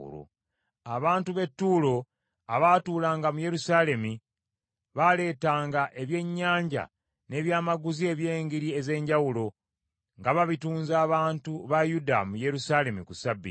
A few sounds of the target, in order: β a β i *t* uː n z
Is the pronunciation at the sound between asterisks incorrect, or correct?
correct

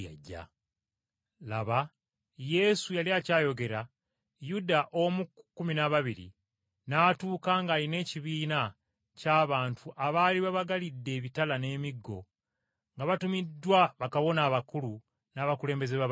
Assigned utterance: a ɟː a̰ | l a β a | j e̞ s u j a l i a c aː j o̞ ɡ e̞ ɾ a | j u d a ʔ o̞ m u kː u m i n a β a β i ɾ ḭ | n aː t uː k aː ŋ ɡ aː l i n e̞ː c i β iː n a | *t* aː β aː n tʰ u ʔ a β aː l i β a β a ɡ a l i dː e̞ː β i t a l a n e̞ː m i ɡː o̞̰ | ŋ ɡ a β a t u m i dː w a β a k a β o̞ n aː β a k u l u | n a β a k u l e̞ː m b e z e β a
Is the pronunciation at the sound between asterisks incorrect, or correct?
incorrect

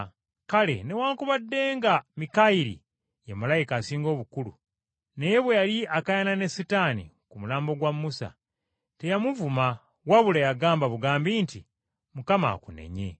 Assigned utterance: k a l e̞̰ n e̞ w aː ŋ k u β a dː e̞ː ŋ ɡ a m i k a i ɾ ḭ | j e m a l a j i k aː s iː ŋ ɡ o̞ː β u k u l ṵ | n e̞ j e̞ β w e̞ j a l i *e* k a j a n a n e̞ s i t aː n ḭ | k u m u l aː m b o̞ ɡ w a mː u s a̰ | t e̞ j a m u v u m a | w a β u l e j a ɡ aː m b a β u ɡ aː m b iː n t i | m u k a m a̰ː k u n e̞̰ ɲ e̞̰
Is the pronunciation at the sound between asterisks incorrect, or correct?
incorrect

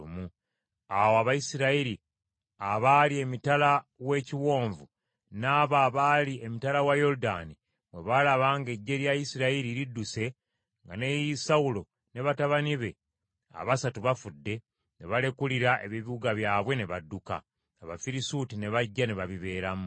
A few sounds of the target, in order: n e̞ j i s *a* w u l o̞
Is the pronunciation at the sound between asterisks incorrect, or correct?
correct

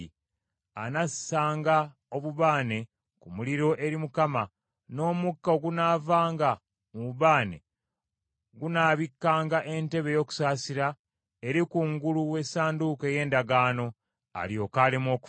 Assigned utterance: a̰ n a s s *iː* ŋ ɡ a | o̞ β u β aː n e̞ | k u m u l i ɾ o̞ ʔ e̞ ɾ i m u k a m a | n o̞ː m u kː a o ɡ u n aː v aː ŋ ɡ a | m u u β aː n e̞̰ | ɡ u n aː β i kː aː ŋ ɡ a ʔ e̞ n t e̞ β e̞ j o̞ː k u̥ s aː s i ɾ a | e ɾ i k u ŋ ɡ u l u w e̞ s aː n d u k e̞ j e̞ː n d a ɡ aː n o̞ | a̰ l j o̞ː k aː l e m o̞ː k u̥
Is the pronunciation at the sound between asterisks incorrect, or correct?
incorrect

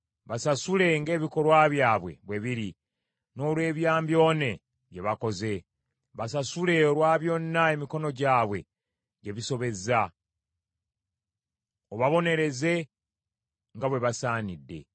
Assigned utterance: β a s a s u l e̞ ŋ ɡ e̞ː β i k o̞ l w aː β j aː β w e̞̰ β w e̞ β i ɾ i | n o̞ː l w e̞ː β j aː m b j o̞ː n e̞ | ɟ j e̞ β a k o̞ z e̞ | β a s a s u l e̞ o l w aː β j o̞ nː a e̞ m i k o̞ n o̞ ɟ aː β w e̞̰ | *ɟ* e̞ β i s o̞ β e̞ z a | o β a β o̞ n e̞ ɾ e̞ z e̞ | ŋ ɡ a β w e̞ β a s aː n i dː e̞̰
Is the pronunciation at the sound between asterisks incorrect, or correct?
correct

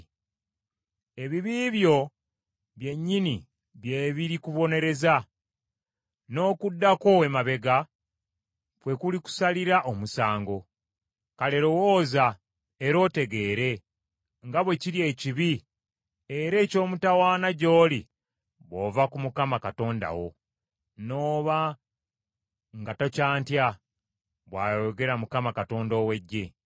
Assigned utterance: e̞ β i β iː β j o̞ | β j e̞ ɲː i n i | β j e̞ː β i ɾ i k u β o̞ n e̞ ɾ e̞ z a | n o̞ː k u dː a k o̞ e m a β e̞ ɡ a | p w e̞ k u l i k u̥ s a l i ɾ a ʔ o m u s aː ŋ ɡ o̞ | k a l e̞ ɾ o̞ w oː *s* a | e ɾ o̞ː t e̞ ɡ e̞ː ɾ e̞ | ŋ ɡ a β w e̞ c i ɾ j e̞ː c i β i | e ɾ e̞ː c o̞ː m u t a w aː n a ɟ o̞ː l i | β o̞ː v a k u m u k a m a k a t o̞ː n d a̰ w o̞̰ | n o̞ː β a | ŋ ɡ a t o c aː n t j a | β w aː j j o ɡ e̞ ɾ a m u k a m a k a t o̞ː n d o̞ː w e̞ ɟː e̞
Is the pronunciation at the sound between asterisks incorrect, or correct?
incorrect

